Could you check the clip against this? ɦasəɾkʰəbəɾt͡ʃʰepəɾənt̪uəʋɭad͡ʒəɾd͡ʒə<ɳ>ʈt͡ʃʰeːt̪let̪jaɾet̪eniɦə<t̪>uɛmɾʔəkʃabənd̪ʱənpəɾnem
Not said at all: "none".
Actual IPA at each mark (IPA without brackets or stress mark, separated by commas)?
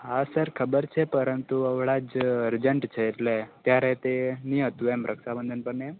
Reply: ɳ, t̪